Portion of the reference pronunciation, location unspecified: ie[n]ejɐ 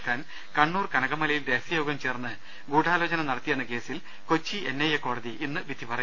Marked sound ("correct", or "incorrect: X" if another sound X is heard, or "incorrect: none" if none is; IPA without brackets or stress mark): incorrect: nː